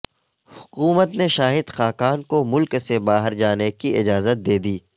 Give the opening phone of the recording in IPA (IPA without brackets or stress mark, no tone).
h